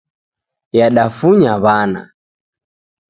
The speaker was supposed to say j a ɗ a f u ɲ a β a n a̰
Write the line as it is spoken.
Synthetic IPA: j a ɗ a f u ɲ a β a n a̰